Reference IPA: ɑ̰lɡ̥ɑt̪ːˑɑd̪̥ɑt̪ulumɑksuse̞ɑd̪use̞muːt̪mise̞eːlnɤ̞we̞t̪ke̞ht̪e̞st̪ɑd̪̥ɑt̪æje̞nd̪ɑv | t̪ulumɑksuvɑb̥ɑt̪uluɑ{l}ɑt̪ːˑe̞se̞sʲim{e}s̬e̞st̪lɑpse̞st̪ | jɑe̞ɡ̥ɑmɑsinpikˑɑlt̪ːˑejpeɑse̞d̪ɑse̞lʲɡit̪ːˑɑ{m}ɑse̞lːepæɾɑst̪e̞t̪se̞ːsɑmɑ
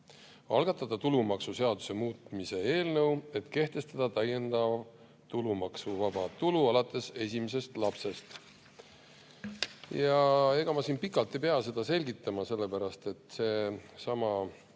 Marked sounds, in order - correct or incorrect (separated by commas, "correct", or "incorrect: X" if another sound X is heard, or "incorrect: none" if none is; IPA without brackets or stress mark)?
correct, correct, correct